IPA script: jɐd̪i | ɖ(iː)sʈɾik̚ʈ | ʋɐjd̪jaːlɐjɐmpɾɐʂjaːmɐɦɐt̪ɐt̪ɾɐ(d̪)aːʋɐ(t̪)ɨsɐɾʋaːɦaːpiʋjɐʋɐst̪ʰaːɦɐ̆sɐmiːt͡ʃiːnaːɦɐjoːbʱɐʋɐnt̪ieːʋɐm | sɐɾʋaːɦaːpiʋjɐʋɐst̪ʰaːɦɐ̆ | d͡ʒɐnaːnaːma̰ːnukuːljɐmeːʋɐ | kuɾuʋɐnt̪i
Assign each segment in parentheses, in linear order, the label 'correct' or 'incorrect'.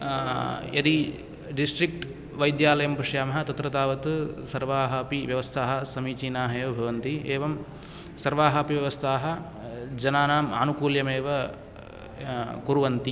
incorrect: i, incorrect: t̪, correct

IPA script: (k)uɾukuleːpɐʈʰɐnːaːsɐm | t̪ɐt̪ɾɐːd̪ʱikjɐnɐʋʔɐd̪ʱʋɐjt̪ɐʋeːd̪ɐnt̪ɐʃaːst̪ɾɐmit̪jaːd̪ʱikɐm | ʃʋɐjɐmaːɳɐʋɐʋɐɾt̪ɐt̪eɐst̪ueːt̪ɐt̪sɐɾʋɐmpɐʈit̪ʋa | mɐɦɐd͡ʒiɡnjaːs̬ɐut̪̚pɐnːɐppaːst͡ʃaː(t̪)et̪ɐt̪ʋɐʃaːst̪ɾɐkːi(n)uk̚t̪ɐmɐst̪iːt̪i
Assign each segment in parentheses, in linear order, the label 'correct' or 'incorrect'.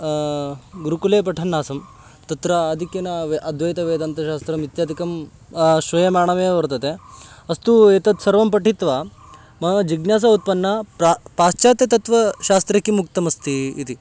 incorrect: ɡ, correct, incorrect: m

